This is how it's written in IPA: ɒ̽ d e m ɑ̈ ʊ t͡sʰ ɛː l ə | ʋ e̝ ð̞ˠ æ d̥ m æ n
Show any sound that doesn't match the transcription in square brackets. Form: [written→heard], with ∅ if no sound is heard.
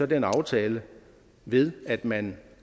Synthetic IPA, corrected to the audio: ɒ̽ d e [m→n] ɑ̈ ʊ t͡sʰ ɛː l ə | ʋ e̝ ð̞ˠ æ d̥ m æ n

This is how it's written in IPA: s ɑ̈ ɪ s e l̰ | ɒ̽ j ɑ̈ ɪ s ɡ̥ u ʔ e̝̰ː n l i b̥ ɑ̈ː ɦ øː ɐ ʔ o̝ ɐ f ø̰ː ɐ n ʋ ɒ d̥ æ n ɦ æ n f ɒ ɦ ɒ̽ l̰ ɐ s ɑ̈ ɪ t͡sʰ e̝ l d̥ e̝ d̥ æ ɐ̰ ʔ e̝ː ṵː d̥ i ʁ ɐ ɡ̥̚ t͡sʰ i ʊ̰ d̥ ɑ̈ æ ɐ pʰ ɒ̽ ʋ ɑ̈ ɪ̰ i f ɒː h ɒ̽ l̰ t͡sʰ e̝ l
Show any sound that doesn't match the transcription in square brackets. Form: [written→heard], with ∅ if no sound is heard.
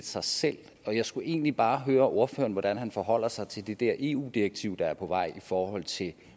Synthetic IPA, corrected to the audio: s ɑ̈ ɪ s e l̰ | ɒ̽ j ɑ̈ ɪ s ɡ̥ u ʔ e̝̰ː n l i b̥ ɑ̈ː ɦ øː ɐ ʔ o̝ ɐ f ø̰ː ɐ n ʋ ɒ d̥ æ n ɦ æ n f ɒ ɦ ɒ̽ l̰ ɐ s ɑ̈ ɪ t͡sʰ e̝ l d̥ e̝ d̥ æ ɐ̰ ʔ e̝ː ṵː d̥ i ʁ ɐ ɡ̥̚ t͡sʰ i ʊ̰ d̥ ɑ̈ æ ɐ pʰ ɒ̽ ʋ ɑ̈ ɪ̰ i f ɒː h ɒ̽ l̰ t͡sʰ e̝ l

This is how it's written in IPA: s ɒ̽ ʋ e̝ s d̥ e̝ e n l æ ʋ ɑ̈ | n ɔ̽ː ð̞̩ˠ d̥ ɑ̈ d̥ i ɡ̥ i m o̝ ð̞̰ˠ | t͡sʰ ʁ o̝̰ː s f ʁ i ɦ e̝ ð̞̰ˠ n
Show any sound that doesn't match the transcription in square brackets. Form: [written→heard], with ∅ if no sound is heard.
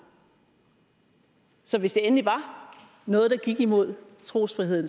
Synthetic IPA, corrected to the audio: s ɒ̽ ʋ e̝ s d̥ e̝ e n l [æ→i] ʋ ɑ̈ | n ɔ̽ː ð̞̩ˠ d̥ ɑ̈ [d̥→ɡ̥] i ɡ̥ i m o̝ ð̞̰ˠ | t͡sʰ ʁ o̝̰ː s f ʁ i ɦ e̝ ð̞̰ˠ n

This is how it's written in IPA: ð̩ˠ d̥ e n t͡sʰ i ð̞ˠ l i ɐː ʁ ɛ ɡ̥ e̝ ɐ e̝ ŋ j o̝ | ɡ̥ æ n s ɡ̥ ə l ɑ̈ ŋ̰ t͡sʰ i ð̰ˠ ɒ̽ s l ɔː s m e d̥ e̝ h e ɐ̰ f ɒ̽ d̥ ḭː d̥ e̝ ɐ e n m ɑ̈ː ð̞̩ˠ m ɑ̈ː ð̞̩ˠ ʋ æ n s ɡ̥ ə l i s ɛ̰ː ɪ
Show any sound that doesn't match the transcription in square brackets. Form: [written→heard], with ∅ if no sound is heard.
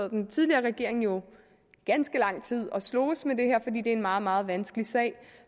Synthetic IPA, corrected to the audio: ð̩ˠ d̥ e n t͡sʰ i ð̞ˠ l i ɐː ʁ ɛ ɡ̥ e̝ ɐ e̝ ŋ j o̝ | ɡ̥ æ n s ɡ̥ ə l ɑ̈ ŋ̰ t͡sʰ i ð̰ˠ ɒ̽ s l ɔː s m e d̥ e̝ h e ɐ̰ f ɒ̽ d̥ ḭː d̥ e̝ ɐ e n m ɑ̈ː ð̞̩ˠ m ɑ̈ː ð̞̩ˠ ʋ æ n s ɡ̥ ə l i s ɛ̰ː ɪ

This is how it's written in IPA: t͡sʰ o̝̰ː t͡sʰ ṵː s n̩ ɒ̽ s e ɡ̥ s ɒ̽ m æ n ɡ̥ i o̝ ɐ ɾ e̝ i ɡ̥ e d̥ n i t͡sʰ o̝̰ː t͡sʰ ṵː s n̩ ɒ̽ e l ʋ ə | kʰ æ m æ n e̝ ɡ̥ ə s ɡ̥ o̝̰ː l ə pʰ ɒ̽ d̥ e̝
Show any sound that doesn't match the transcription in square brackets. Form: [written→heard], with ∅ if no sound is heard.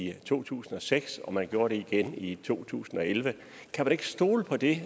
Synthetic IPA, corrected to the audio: t͡sʰ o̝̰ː t͡sʰ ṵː s n̩ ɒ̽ s e ɡ̥ s ɒ̽ m æ n ɡ̥ [i→j] o̝ ɐ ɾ e̝ i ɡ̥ e [d̥→∅] n i t͡sʰ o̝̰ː t͡sʰ ṵː s n̩ ɒ̽ e l ʋ ə | kʰ æ m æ n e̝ ɡ̥ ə s [ɡ̥→d̥] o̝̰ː l ə pʰ ɒ̽ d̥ e̝

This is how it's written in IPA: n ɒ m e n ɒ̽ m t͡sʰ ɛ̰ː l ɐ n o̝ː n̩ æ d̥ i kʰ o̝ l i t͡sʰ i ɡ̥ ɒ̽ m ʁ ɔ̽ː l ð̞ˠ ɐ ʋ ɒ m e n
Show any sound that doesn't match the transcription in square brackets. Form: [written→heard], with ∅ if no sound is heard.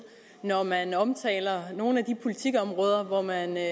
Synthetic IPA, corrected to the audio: n ɒ m [e→æ] n ɒ̽ m t͡sʰ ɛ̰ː l ɐ n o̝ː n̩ æ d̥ i [kʰ→pʰ] o̝ l i t͡sʰ i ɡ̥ ɒ̽ m ʁ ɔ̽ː [l→∅] ð̞ˠ ɐ ʋ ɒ m [e→æ] n

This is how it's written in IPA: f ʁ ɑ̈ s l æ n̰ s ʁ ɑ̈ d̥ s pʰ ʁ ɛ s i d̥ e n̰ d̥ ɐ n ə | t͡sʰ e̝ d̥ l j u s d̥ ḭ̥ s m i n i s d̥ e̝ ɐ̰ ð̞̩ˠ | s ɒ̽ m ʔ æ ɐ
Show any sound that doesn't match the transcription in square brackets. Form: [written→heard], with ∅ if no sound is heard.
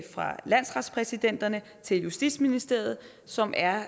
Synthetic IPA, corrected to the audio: f ʁ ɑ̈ [s→∅] l æ n̰ s ʁ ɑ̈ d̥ s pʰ ʁ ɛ s i d̥ e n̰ d̥ ɐ n ə | t͡sʰ e̝ [d̥→∅] l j u s d̥ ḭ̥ s m i n i s d̥ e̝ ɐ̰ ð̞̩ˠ | s ɒ̽ m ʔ æ ɐ

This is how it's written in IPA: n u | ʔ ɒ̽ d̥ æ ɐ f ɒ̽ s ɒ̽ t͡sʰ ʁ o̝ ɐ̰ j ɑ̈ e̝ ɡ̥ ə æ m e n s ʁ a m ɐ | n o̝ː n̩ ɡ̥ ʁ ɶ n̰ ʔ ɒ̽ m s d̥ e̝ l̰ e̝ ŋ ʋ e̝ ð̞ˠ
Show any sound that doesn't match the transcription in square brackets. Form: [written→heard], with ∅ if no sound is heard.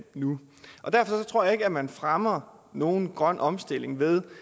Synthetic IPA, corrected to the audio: n u | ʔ ɒ̽ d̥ æ ɐ f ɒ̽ s ɒ̽ t͡sʰ ʁ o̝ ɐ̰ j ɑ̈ e̝ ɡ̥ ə æ m [e→æ] n [s→f] ʁ a m ɐ | n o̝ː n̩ ɡ̥ ʁ ɶ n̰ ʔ ɒ̽ m s d̥ e̝ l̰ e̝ ŋ ʋ e̝ ð̞ˠ

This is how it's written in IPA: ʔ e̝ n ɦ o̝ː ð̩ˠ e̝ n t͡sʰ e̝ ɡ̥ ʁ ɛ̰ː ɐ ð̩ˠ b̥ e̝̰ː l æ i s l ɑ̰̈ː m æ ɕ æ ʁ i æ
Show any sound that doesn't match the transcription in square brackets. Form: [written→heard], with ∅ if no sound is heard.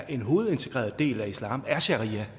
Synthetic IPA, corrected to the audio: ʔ e̝ n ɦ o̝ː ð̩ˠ e̝ n t͡sʰ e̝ ɡ̥ ʁ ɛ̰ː ɐ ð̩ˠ [b̥→d̥] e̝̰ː l æ i s l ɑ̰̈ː m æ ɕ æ ʁ i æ

